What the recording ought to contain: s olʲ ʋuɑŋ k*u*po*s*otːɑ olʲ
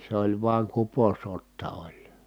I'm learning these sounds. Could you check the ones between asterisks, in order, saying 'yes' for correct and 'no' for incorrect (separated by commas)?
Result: yes, yes